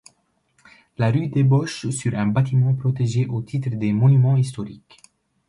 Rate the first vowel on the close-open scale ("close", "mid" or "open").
open